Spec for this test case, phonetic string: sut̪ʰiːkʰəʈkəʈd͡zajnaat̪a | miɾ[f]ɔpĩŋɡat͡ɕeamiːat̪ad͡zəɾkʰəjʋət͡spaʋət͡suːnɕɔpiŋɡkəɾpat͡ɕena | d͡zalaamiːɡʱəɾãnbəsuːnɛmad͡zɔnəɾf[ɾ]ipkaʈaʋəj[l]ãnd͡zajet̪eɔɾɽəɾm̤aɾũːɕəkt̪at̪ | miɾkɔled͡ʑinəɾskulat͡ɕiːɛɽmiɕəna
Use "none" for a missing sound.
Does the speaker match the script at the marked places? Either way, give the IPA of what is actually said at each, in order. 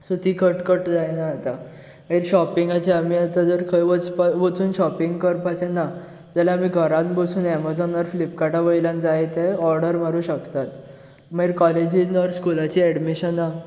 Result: ɕ, l, l

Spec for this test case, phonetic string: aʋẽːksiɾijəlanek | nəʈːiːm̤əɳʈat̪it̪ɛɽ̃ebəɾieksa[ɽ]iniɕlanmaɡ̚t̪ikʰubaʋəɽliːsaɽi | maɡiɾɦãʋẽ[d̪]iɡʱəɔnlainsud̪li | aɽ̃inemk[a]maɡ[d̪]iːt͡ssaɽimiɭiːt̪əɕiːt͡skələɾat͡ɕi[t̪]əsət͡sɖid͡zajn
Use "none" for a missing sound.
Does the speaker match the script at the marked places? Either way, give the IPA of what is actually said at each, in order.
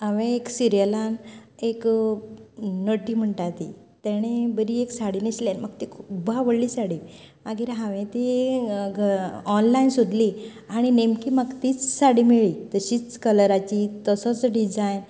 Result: ɽ, t̪, i, t̪, t̪

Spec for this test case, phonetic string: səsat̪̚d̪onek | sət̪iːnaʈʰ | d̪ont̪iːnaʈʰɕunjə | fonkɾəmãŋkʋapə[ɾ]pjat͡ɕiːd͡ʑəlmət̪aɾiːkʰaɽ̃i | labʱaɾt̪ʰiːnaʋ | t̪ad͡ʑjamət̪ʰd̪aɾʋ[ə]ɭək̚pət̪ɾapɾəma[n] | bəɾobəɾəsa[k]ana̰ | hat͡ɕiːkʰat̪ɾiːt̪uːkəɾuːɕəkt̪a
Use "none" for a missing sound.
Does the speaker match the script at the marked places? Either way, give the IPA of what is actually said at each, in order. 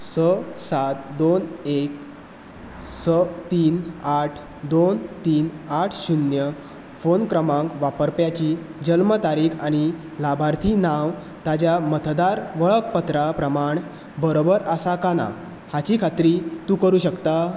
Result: ɾ, ə, ɳ, k

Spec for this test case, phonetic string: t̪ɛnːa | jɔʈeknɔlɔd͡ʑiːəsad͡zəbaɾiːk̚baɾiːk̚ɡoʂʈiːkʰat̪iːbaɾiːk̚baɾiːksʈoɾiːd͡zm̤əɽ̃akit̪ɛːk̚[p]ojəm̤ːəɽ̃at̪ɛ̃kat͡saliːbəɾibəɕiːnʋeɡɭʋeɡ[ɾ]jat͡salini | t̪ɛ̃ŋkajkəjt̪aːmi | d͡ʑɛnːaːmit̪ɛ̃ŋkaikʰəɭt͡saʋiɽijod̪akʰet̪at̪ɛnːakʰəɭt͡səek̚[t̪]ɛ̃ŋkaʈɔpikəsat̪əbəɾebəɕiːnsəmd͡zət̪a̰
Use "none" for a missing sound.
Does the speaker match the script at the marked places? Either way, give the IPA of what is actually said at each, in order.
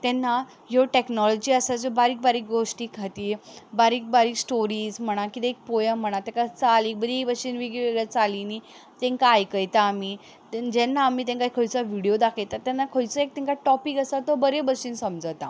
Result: p, ɭ, t̪

